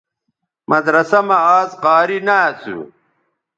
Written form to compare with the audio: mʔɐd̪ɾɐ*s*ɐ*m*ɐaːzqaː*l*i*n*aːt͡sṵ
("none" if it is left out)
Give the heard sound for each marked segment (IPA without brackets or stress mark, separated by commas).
s, m, ɾ, n